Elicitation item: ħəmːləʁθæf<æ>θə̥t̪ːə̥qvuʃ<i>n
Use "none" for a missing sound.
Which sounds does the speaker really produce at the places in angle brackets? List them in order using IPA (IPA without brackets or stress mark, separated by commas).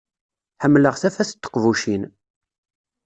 æ, i